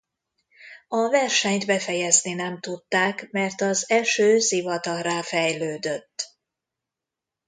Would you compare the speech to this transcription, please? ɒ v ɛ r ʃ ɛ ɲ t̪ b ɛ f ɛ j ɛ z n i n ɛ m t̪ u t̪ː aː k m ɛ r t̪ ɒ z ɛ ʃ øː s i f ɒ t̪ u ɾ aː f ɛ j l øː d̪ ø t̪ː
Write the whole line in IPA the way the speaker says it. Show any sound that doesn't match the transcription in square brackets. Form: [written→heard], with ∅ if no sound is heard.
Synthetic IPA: ɒ v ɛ r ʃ ɛ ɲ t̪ b ɛ f ɛ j ɛ z n i n ɛ m t̪ u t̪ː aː k m ɛ r t̪ ɒ z ɛ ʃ øː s i [f→v] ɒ t̪ [u→ɒ] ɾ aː f ɛ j l øː d̪ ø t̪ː